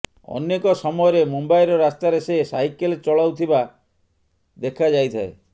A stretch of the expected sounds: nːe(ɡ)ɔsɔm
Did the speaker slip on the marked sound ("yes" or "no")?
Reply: yes